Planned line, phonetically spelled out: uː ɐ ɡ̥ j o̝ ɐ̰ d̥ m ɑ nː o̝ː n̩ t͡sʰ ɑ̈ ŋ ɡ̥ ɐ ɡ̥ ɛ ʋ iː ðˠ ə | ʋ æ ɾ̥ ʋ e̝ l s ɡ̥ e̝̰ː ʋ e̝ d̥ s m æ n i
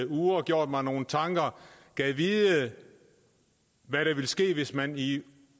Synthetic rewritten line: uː ɐ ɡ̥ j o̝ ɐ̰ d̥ m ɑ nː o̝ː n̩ t͡sʰ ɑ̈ ŋ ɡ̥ ɐ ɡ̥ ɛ ʋ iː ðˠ ə | ʋ æ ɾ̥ ʋ e̝ l s ɡ̥ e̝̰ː ʋ e̝ s m æ n i